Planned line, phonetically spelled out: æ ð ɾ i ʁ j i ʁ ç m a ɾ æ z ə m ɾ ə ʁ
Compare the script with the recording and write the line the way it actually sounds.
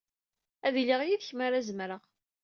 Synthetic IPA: æ ð l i ʁ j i ð ç m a ɾ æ z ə m ɾ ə ʁ